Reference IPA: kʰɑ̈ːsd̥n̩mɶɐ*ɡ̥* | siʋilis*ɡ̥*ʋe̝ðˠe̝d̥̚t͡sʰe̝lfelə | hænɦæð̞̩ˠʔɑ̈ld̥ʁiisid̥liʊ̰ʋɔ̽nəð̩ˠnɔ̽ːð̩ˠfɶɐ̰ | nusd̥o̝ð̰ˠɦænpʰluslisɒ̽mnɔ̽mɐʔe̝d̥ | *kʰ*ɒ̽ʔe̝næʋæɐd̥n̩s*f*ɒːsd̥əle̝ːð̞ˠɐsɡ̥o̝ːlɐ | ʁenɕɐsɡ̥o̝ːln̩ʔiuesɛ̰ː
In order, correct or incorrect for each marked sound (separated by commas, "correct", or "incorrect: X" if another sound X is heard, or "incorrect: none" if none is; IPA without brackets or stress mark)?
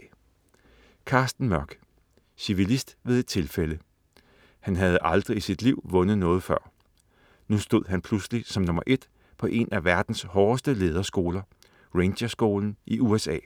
correct, incorrect: d̥, incorrect: pʰ, incorrect: h